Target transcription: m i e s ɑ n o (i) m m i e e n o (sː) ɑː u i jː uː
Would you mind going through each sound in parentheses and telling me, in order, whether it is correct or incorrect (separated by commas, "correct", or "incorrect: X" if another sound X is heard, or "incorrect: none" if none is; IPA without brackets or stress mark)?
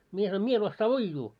correct, correct